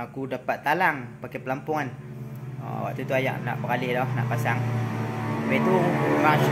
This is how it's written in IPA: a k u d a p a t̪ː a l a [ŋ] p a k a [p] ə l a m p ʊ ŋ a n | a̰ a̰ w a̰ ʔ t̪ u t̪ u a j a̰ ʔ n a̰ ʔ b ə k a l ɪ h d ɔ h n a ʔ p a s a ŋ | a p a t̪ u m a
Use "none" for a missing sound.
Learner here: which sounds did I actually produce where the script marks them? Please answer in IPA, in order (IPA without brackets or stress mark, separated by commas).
ŋ, p